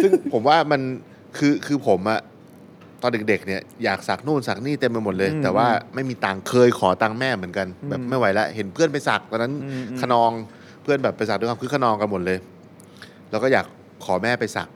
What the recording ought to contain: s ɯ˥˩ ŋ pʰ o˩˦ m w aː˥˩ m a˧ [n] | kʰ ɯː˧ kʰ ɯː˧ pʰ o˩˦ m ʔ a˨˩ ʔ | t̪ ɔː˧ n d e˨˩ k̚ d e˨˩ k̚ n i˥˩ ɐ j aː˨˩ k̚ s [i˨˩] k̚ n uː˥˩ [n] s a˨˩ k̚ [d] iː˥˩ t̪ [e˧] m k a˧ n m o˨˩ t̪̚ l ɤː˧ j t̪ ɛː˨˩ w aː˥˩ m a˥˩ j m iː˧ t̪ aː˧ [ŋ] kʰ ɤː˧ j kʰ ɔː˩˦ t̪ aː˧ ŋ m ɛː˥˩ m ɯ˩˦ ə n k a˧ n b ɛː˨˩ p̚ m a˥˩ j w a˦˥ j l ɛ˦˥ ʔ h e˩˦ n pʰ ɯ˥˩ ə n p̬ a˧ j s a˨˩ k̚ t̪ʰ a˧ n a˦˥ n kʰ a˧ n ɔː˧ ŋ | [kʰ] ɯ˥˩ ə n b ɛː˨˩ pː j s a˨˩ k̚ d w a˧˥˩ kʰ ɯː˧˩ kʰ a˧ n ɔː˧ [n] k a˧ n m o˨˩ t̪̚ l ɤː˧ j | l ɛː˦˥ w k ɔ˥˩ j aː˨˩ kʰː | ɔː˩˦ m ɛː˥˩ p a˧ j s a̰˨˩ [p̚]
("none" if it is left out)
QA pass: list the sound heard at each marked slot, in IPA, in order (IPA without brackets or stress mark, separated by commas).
n, a˨˩, n, n, e˧, ŋ, pʰ, ŋ, k̚